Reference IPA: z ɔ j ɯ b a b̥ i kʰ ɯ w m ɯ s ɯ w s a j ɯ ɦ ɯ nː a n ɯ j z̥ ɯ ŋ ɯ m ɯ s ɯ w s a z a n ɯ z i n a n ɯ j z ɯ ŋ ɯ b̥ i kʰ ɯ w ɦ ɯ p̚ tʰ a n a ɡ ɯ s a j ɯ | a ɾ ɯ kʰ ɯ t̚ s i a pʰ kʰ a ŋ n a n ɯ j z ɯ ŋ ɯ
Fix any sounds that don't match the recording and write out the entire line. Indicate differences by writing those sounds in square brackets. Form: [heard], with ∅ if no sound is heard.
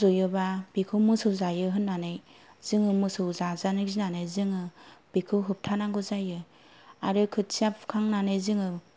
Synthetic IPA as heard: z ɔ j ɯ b a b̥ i kʰ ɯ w m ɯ s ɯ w [z] a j ɯ ɦ ɯ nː a n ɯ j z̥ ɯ ŋ ɯ m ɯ s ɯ w [z] a z a n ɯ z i n a n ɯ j z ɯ ŋ ɯ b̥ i kʰ ɯ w ɦ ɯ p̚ tʰ a n a ɡ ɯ [z] a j ɯ | a ɾ ɯ kʰ ɯ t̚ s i a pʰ kʰ a ŋ n a n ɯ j z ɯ ŋ ɯ